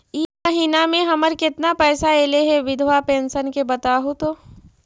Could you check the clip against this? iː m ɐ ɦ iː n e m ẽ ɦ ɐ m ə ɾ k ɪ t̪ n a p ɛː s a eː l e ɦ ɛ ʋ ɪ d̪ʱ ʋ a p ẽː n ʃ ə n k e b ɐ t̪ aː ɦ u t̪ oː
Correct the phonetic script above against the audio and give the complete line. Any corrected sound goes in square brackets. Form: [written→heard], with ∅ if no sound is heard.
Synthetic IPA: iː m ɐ ɦ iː n [e→a] m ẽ ɦ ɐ m ə ɾ k ɪ t̪ n a p ɛː s a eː l e ɦ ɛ ʋ ɪ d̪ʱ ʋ a p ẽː n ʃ ə n k e b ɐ t̪ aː ɦ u t̪ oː